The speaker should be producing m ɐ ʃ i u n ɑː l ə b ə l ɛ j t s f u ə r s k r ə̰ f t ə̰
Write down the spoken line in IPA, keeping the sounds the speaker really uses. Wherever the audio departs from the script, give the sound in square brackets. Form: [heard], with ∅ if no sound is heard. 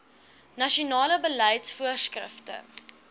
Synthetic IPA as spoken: [n] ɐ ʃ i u n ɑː l ə b ə l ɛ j t s f u ə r s k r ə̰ f t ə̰

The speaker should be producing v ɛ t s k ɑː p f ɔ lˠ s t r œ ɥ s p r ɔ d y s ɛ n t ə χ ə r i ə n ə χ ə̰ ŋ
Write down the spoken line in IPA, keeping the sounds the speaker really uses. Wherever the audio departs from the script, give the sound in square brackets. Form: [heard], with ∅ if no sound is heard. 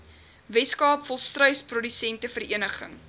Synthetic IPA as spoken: v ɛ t s k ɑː p f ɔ lˠ s t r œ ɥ s p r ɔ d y s ɛ n t ə [f] ə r i ə n ə χ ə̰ ŋ

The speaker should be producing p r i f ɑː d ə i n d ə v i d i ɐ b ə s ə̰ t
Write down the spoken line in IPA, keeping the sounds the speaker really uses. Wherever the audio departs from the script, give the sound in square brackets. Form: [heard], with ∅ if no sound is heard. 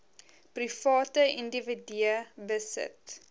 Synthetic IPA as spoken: p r i f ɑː [t] ə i n d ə v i d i [ə] b ə s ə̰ t

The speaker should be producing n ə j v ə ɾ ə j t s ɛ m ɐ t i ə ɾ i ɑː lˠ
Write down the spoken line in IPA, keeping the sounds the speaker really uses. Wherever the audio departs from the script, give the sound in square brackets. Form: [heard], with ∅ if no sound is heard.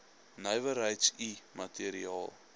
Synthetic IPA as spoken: n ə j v ə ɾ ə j t s [i] m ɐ t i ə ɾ i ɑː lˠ

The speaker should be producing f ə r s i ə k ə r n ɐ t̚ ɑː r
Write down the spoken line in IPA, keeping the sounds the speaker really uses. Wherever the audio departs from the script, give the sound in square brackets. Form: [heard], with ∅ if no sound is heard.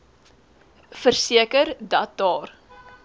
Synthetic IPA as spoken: f ə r s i ə k ə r [d] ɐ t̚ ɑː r

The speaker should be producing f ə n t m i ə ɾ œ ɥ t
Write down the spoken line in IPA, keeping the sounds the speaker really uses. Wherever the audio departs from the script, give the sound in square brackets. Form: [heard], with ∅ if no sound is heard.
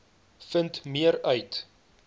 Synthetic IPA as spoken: f ə n t m i ə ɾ œ ɥ t

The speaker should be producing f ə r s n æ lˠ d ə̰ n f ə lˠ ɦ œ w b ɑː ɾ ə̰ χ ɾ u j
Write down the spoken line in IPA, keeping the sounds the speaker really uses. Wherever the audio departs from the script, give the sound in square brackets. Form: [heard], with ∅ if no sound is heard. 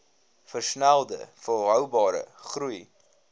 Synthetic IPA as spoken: f ə r s n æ lˠ d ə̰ [∅] f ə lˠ ɦ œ w b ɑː ɾ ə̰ χ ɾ u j

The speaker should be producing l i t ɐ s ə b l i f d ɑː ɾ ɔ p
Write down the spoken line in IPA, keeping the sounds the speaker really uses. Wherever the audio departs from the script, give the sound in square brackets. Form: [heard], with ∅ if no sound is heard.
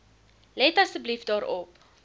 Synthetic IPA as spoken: l [ɛ] t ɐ s ə b l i f d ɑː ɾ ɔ p

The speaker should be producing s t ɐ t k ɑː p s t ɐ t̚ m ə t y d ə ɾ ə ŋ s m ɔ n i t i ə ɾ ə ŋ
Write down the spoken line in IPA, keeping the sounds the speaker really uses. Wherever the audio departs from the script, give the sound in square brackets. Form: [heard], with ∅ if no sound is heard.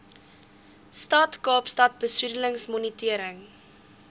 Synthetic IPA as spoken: s t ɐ t k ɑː p s t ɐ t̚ [b] ə [s] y d ə [l] ə ŋ s m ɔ n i t i ə ɾ ə ŋ

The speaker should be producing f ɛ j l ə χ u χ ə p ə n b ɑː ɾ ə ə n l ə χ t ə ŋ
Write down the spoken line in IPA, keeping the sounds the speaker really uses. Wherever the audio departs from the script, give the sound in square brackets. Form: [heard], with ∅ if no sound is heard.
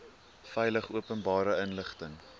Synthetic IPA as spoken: f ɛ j l ə χ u [∅] ə p ə n b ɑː ɾ ə ə n l ə χ t ə ŋ

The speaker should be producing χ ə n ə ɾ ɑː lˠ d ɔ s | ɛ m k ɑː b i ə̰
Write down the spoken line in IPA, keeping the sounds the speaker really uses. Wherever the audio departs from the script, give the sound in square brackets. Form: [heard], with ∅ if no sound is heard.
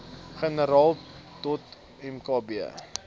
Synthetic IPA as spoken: χ ə n ə ɾ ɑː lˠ [t] ɔ [t] | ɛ m k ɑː b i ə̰

